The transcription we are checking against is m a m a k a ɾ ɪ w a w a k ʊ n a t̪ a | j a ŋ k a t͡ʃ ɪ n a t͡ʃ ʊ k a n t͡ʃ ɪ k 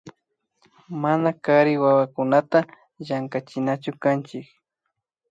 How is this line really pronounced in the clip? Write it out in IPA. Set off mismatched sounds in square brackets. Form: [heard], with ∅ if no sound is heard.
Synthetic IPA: m a [n] a k a ɾ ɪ w a w a k ʊ n a t̪ a | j a ŋ k a t͡ʃ ɪ n a t͡ʃ ʊ k a n t͡ʃ ɪ k